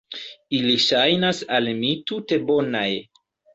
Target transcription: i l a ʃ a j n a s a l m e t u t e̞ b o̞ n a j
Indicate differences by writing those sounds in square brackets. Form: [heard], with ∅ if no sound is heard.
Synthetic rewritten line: i l [i] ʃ a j n a s a l m [i] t u t e̞ b o̞ n a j